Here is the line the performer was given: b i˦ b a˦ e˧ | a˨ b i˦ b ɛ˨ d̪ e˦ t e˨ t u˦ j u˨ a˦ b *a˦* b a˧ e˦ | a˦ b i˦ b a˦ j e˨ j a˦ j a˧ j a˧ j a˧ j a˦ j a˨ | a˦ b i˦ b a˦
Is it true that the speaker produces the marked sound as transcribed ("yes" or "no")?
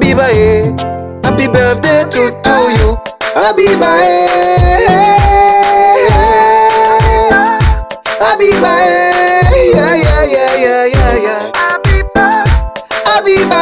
no